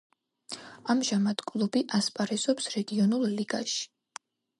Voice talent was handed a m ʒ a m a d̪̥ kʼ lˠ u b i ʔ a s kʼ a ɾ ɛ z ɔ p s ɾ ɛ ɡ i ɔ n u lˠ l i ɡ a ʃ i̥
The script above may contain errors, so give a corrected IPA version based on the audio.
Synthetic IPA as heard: a m ʒ a m a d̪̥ kʼ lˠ u b i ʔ a s pʼ a ɾ ɛ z ɔ p s ɾ ɛ ɡ i ɔ n u lˠ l i ɡ a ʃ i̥